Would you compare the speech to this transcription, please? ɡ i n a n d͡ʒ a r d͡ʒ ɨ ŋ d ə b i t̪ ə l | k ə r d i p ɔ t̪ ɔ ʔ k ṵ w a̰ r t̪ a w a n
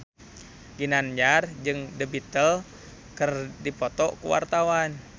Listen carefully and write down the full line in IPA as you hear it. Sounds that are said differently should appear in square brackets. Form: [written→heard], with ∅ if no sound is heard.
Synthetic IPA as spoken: ɡ i n a n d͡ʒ a r d͡ʒ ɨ ŋ d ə b i t̪ ə l | k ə r d i p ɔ t̪ ɔ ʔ k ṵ w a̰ r t̪ a w a n